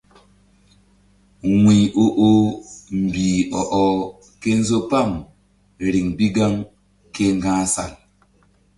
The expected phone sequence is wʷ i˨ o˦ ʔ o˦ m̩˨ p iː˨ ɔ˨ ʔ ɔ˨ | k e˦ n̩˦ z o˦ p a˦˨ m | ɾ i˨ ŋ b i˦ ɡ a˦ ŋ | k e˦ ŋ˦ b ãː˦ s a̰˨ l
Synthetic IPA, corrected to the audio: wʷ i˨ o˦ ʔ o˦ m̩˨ b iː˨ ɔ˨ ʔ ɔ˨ | k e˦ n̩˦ z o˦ p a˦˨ m | ɾ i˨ ŋ b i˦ ɡ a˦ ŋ | k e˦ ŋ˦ ɡ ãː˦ s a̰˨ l